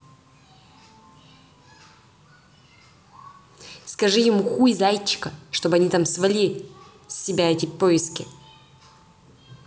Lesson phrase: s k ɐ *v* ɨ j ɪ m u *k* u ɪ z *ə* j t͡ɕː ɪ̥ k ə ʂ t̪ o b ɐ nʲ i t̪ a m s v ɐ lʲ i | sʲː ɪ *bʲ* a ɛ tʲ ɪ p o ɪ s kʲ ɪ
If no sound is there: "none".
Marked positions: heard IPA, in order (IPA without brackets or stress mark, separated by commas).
ʐ, x, a, bʲ